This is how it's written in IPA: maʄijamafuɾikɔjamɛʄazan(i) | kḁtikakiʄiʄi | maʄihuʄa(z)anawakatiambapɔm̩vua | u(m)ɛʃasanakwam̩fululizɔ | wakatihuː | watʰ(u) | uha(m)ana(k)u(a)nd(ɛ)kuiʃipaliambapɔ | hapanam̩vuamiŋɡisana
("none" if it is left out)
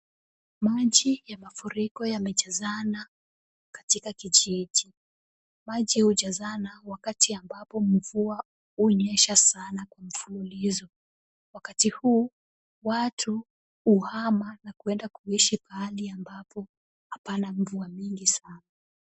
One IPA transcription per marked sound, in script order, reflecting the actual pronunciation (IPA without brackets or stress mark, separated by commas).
a, z, ɲ, u, m, k, ɛ, a